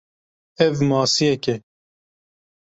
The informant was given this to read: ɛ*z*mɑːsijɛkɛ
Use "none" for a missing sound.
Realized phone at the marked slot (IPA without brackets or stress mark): v